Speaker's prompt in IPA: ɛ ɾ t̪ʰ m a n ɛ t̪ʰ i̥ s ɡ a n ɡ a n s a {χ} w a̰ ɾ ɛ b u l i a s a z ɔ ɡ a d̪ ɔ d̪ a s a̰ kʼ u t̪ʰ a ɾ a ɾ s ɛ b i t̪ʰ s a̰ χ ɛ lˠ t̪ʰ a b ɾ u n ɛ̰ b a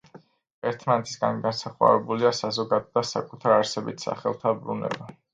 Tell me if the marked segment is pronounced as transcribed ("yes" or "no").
yes